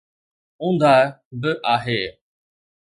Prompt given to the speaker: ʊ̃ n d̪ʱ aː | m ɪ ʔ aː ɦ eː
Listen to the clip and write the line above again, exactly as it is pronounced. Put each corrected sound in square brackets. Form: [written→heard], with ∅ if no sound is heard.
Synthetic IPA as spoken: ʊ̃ n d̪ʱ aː | [m→b] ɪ ʔ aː ɦ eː